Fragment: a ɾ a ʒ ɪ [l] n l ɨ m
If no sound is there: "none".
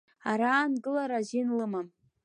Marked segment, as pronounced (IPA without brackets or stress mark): none